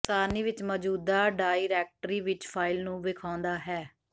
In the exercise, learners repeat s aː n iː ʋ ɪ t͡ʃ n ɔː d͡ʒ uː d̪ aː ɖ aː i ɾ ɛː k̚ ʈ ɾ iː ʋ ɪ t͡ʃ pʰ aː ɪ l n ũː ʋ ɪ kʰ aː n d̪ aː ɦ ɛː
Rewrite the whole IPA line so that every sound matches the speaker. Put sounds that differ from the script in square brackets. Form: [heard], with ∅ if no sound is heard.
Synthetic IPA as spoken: s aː n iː ʋ ɪ t͡ʃ [m] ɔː d͡ʒ uː d̪ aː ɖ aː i ɾ ɛː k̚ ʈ ɾ iː ʋ ɪ t͡ʃ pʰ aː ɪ l n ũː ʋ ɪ kʰ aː n d̪ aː ɦ ɛː